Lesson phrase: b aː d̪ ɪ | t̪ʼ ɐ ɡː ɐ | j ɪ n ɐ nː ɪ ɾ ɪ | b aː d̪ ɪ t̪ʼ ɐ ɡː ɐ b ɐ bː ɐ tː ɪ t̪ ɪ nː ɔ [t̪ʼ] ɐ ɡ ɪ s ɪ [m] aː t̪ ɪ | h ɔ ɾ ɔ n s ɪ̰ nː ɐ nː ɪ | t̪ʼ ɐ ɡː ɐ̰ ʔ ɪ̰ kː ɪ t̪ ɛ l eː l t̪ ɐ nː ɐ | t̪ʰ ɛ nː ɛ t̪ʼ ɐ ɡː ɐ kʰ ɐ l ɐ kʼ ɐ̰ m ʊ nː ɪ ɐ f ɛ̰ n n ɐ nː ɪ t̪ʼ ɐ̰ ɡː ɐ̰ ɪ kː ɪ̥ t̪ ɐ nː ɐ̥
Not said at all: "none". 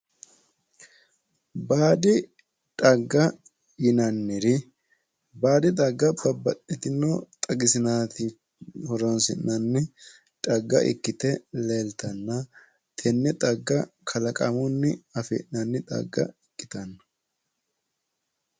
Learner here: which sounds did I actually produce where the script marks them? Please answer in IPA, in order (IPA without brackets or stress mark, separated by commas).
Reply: t̪ʼ, n